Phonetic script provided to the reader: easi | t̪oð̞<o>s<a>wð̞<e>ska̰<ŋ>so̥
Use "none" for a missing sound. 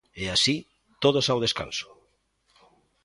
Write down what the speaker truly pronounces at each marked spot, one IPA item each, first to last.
o, a, e, n

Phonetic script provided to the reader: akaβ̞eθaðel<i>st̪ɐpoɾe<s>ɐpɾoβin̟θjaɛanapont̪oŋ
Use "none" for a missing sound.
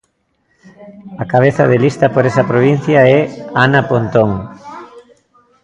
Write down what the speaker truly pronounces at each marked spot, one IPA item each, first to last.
i, s

